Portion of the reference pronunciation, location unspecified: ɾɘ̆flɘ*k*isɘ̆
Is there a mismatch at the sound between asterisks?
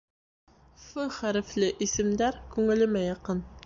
yes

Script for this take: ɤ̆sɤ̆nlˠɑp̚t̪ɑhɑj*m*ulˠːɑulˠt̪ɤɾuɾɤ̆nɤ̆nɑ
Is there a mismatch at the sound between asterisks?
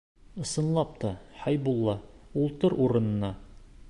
yes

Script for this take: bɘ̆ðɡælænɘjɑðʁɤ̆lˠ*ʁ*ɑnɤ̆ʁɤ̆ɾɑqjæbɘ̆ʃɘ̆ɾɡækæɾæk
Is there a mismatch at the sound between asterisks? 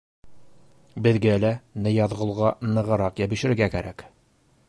no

